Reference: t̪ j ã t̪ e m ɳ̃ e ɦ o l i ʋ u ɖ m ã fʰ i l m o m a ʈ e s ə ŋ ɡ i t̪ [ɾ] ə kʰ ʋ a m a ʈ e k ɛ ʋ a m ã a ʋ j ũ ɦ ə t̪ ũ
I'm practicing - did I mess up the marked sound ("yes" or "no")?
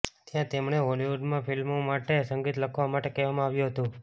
yes